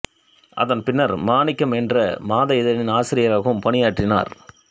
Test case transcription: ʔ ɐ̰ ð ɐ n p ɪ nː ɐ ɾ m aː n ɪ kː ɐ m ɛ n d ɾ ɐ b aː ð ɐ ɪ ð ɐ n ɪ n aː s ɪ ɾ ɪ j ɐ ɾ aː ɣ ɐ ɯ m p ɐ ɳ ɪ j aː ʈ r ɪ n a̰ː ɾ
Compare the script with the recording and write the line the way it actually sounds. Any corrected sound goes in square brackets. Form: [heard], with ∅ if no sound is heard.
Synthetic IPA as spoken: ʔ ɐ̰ ð ɐ n p ɪ nː ɐ ɾ m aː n ɪ kː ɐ m ɛ n d [r] ɐ [m] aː ð ɐ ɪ ð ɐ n ɪ n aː s ɪ ɾ ɪ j ɐ ɾ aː ɣ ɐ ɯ m p ɐ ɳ ɪ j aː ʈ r ɪ n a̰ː ɾ